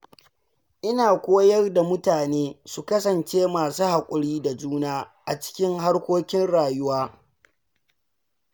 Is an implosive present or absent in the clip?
absent